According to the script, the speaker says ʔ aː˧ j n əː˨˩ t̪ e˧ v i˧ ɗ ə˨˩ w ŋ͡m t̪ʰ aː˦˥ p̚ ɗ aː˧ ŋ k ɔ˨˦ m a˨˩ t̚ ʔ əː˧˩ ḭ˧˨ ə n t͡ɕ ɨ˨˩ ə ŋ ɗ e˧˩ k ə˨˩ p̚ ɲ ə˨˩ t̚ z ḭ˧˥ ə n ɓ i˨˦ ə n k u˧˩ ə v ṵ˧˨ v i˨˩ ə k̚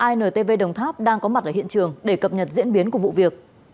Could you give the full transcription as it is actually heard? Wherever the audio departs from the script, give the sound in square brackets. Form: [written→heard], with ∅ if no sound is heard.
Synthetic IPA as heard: ʔ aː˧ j n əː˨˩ t̪ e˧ v [i˧→e˧] ɗ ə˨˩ w ŋ͡m t̪ʰ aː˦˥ p̚ ɗ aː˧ ŋ k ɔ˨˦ m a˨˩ t̚ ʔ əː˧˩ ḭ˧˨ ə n t͡ɕ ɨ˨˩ ə ŋ ɗ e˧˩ k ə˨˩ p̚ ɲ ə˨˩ t̚ z ḭ˧˥ ə n ɓ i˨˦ ə n k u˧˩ ə v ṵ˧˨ v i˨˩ ə k̚